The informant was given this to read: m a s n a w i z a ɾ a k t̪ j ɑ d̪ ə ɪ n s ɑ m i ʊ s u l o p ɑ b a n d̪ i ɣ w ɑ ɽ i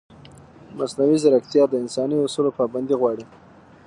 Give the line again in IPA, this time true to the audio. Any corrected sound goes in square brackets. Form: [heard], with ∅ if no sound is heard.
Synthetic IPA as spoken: m a s n a w i z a ɾ a k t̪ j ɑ d̪ ə ɪ n s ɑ [n] i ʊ s u l o p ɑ b a n d̪ i ɣ w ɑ ɽ i